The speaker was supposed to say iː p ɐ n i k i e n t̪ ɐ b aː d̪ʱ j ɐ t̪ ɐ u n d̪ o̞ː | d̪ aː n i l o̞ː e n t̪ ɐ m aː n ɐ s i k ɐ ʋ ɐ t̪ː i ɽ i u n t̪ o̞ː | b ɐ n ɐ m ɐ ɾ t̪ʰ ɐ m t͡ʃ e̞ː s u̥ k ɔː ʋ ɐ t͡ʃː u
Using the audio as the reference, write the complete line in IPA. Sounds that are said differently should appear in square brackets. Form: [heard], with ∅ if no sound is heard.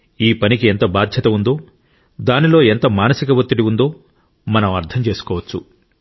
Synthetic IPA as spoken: iː p ɐ n i k i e n t̪ ɐ b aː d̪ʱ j ɐ t̪ ɐ u n d̪ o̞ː | d̪ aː n i l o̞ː e n t̪ ɐ m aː n ɐ s i k ɐ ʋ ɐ t̪ː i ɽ i u n [d̪] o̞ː | [m] ɐ n ɐ m ɐ ɾ t̪ʰ ɐ m t͡ʃ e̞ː s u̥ k ɔː ʋ ɐ t͡ʃː u